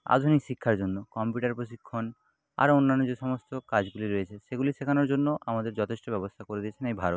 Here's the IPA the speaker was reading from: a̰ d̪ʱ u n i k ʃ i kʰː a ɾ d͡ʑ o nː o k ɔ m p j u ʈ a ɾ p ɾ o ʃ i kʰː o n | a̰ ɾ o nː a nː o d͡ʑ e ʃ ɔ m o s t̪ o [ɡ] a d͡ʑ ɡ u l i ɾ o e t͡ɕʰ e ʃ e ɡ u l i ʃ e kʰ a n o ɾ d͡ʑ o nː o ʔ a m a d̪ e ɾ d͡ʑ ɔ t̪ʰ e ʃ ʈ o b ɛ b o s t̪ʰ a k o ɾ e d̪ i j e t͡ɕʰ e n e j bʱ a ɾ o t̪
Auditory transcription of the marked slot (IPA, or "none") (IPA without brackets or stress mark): k